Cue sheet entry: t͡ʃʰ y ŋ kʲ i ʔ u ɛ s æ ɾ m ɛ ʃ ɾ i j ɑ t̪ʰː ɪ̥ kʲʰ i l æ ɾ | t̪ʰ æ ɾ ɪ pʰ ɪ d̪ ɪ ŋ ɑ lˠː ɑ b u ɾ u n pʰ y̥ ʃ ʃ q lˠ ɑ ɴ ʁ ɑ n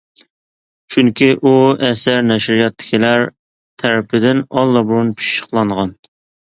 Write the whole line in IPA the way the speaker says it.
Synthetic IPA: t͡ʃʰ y ŋ kʲ i ʔ u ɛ s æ ɾ n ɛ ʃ ɾ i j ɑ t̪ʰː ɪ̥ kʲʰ i l æ ɾ | t̪ʰ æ ɾ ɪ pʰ ɪ d̪ ɪ n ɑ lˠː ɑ b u ɾ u n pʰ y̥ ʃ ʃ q lˠ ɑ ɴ ʁ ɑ n